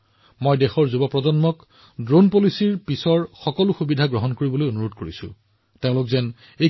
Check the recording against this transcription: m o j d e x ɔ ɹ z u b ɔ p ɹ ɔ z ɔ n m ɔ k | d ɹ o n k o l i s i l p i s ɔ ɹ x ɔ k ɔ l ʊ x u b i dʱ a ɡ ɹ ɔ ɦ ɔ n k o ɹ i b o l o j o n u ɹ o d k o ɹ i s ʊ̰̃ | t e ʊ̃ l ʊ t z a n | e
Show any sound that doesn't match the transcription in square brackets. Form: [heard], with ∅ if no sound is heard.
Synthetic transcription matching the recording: m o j d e x ɔ ɹ z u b ɔ p ɹ ɔ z ɔ n m ɔ k | d ɹ o n [p] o l i s i [ɹ] p i s ɔ ɹ x ɔ k ɔ l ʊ x u b i dʱ a ɡ ɹ ɔ ɦ ɔ n k o ɹ i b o l o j o n u ɹ o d k o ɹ i s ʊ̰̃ | t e ʊ̃ l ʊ [k] z [ɛ] n | e